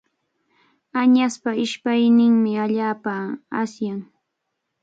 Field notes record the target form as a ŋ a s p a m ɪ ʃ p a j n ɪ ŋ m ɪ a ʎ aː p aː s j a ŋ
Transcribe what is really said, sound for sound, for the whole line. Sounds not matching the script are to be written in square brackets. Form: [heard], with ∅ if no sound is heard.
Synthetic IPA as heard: a [ɲ] a s p a [∅] ɪ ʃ p a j n ɪ ŋ m ɪ a ʎ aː p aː s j a ŋ